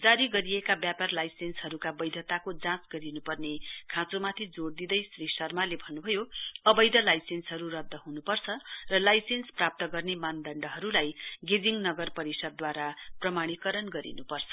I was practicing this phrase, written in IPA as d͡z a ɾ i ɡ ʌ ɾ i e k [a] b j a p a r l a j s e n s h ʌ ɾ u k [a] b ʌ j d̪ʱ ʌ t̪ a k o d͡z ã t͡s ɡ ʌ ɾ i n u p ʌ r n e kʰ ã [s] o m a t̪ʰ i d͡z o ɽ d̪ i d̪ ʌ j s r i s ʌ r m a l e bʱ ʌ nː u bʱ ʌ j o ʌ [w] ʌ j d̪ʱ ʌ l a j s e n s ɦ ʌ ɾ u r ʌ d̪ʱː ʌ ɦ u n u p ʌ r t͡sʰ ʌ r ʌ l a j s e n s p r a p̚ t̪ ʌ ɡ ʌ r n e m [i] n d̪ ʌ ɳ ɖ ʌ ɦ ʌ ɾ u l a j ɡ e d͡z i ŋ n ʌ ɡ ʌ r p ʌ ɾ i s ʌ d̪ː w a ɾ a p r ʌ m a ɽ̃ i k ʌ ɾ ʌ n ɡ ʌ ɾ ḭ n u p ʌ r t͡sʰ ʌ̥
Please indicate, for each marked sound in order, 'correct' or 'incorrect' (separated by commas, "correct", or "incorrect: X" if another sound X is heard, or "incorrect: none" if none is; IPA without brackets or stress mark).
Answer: correct, correct, incorrect: t͡s, incorrect: b, incorrect: a